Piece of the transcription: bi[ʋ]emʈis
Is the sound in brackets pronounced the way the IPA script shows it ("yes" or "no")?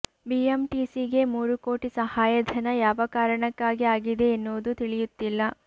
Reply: no